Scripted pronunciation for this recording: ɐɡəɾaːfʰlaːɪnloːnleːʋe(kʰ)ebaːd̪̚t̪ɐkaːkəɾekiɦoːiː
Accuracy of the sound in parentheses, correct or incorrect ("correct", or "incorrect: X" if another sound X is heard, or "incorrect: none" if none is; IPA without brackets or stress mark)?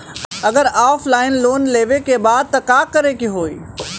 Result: incorrect: k